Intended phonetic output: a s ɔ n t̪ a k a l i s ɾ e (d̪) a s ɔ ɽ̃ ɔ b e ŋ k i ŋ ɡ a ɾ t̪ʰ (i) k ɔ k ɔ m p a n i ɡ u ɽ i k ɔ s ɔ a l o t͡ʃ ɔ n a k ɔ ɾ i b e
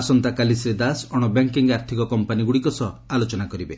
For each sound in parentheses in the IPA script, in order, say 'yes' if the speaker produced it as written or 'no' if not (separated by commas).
yes, yes